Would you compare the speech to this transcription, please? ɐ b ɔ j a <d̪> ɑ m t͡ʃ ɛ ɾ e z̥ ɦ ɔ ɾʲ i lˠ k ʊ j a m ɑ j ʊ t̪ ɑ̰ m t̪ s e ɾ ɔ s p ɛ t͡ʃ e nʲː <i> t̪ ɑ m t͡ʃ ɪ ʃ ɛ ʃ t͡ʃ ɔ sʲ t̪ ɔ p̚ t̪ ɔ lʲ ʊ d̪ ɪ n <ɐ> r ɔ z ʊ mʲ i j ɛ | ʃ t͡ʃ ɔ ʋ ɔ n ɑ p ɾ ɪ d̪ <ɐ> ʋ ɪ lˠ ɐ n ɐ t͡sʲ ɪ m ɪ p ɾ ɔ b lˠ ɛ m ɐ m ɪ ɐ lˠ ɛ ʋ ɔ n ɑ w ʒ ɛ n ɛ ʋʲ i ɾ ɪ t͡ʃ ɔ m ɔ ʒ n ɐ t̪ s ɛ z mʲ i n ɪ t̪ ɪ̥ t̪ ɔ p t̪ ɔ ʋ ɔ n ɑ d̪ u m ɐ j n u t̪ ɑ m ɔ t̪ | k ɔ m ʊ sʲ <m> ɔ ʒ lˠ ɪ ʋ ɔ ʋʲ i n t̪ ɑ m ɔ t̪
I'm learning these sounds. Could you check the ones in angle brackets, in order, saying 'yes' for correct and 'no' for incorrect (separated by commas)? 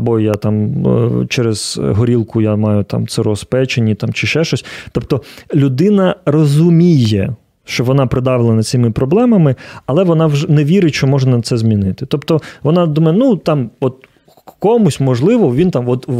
no, yes, yes, no, yes